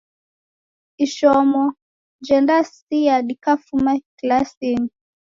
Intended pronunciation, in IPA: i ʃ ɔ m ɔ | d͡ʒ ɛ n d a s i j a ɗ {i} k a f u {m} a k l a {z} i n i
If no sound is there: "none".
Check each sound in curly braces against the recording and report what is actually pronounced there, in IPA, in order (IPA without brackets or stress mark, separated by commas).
i, m, s